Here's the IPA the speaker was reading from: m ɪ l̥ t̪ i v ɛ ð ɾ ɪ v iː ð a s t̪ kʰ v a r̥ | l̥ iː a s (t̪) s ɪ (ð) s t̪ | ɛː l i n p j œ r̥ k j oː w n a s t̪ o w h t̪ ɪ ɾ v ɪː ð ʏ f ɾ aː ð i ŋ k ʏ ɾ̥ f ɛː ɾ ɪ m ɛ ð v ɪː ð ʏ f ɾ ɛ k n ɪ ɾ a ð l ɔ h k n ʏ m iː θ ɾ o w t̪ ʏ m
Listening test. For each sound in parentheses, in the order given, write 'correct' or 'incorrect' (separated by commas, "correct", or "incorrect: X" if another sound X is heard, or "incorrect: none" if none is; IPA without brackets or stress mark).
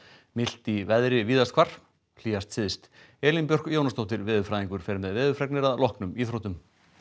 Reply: correct, correct